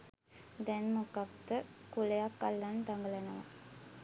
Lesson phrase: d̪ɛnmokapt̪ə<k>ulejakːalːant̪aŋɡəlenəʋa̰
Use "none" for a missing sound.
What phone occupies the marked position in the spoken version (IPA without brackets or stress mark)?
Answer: k